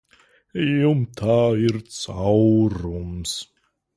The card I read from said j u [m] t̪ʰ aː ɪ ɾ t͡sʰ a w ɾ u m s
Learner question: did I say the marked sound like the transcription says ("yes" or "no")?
yes